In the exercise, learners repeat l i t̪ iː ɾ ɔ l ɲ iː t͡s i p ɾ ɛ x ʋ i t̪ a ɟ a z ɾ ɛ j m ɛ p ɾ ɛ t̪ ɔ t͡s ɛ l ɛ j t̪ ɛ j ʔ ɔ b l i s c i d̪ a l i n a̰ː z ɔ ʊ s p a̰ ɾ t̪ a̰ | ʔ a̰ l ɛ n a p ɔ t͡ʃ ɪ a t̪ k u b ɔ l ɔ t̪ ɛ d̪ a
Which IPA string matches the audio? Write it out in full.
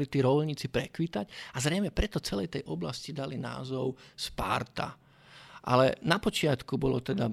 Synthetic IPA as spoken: l i t̪ iː ɾ ɔ l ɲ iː t͡s i p ɾ ɛ k ʋ i t̪ a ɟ a z ɾ ɛ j m ɛ p ɾ ɛ t̪ ɔ t͡s ɛ l ɛ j t̪ ɛ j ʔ ɔ b l a s c i d̪ a l i n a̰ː z ɔ ʊ s p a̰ ɾ t̪ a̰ | ʔ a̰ l ɛ n a p ɔ t͡ʃ ɪ a t̪ k u b ɔ l ɔ t̪ ɛ d̪ a